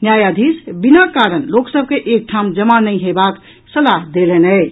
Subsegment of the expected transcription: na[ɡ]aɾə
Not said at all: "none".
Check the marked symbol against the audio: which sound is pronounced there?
k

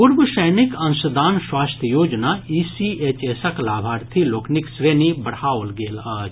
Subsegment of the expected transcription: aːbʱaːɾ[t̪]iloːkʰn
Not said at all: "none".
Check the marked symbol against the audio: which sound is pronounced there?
t̪ʰ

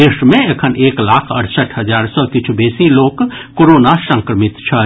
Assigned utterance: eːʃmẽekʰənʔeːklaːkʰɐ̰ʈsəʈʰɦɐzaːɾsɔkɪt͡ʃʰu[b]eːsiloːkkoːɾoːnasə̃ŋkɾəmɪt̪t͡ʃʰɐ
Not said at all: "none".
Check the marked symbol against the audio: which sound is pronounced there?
b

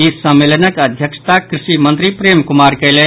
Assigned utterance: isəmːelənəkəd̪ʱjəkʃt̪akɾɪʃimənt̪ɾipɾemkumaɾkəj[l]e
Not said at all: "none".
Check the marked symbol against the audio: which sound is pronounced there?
l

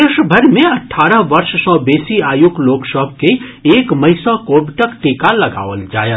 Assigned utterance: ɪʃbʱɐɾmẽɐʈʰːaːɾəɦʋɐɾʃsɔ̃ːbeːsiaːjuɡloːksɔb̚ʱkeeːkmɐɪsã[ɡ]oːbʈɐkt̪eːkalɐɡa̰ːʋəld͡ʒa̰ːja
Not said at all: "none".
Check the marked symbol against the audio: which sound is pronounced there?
k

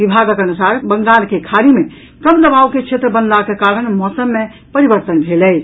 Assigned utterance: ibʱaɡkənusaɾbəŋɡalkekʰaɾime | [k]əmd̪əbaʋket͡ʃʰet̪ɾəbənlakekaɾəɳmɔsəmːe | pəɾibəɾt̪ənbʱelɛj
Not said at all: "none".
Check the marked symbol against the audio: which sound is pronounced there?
k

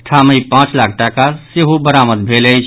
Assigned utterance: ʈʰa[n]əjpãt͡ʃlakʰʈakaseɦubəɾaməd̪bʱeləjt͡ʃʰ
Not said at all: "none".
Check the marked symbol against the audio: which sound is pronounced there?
m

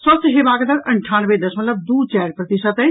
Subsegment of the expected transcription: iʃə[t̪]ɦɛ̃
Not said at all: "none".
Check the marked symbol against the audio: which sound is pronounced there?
t̪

